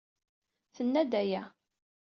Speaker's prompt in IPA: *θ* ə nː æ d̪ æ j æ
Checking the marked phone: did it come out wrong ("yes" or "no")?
no